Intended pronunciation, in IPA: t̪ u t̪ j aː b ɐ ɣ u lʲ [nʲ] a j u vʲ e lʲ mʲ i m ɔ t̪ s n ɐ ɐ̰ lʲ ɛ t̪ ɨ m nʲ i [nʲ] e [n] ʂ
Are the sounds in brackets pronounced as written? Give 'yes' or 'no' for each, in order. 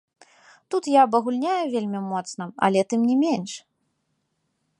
yes, no, yes

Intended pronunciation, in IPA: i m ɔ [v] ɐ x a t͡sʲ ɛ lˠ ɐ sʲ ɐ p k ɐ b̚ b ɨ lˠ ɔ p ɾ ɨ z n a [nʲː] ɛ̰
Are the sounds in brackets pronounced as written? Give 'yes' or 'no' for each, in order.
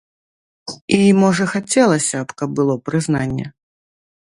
no, yes

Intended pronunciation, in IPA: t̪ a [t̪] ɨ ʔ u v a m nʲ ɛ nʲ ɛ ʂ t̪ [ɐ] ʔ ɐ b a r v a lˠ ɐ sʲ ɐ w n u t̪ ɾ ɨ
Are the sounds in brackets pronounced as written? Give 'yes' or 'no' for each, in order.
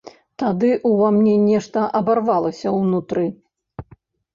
no, yes

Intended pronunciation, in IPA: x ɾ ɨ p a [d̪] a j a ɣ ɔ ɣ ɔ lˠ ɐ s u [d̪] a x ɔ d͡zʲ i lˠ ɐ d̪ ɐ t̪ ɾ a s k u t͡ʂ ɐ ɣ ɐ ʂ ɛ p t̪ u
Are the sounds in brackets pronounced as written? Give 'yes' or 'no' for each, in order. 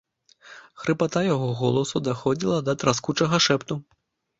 no, yes

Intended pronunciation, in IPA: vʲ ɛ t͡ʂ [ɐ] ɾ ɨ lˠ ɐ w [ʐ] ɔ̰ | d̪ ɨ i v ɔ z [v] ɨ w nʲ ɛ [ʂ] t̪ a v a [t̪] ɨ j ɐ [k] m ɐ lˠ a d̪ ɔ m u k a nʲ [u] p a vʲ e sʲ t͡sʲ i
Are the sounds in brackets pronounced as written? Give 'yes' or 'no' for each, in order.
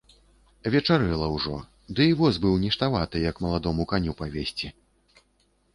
no, yes, no, yes, yes, yes, yes

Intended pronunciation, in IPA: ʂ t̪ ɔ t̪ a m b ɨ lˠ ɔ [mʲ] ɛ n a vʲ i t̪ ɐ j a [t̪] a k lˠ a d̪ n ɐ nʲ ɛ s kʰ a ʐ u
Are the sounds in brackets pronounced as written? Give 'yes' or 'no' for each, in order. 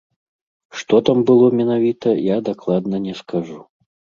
yes, no

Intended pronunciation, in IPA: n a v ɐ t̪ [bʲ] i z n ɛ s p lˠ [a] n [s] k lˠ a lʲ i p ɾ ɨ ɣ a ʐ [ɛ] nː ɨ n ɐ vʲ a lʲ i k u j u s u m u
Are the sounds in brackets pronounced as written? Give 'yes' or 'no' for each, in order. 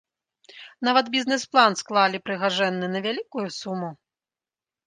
yes, yes, yes, yes

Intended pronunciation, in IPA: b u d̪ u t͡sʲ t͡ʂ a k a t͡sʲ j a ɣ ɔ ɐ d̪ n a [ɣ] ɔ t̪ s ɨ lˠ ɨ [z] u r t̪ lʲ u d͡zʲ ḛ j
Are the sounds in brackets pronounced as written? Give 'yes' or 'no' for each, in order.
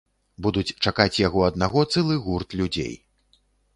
yes, no

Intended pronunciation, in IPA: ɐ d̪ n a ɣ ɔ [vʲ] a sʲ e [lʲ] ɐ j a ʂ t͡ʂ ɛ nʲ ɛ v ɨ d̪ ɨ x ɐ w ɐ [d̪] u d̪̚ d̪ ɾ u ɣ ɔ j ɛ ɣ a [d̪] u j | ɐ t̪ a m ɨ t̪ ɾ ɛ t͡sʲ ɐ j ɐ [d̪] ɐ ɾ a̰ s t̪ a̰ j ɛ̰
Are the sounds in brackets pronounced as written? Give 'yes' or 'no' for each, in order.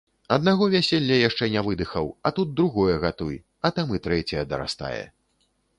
yes, no, no, no, yes

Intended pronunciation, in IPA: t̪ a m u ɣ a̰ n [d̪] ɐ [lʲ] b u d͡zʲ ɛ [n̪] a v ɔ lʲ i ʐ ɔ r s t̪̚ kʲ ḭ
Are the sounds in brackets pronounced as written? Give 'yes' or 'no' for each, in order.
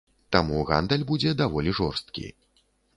yes, yes, no

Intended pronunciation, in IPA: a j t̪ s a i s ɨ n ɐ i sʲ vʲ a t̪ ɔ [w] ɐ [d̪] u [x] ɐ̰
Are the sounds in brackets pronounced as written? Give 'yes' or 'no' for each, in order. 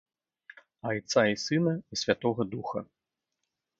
no, yes, yes

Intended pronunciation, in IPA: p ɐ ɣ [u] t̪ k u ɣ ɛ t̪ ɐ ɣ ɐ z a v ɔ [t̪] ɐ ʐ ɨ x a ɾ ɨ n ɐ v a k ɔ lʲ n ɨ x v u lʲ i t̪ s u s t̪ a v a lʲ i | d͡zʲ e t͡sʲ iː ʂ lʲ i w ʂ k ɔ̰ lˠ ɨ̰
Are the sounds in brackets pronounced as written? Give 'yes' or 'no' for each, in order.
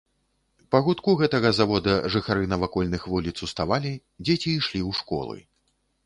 yes, no

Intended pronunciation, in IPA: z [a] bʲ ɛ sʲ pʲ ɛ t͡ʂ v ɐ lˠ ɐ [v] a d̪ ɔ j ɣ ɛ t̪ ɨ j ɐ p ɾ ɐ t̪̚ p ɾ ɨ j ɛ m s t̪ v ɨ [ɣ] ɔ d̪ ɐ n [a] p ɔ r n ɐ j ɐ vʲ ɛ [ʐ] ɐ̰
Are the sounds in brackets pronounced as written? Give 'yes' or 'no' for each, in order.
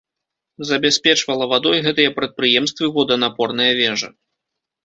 no, yes, no, yes, yes

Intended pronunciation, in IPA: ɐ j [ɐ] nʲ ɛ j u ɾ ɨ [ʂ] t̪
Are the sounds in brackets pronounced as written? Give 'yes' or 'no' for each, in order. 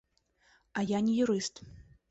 no, no

